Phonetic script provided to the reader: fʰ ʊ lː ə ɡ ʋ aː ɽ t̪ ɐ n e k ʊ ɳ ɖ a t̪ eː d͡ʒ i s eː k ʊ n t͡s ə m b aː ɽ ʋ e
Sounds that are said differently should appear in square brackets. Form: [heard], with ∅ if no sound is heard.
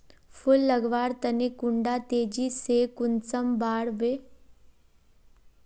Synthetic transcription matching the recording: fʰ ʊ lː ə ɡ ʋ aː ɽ t̪ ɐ n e k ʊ ɳ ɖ a t̪ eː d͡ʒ i s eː k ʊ n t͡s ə m b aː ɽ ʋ e